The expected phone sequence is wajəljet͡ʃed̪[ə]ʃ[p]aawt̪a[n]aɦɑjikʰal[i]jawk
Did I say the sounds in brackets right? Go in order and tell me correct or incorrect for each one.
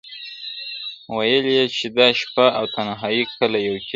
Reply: incorrect, correct, correct, incorrect

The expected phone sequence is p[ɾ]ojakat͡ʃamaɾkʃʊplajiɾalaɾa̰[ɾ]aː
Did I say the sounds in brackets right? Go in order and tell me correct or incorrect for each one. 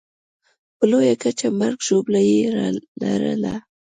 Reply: incorrect, incorrect

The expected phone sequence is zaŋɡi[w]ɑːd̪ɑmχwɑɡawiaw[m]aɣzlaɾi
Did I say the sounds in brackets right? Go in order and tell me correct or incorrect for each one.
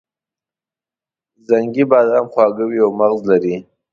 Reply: incorrect, correct

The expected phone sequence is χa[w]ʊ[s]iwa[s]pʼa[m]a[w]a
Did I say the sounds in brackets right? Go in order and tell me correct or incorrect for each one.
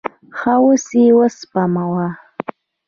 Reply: correct, correct, correct, correct, correct

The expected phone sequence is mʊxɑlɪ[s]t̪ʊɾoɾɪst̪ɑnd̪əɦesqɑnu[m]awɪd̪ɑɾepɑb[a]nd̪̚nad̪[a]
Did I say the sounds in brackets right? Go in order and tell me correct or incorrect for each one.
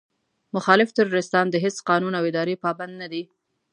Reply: incorrect, incorrect, correct, incorrect

